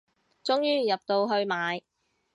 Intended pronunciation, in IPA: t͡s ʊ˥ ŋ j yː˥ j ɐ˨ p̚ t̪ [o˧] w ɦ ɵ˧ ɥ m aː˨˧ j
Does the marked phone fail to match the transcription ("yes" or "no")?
no